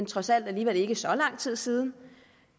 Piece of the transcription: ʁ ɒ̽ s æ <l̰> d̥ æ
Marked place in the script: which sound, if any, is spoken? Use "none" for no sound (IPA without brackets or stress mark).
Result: l̰